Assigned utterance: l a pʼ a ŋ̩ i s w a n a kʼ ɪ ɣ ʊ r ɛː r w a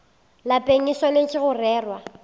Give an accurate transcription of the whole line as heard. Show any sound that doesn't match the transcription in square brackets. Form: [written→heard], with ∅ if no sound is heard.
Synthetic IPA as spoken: l a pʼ [a→e] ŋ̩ i s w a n [a→e] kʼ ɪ ɣ ʊ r ɛː r w a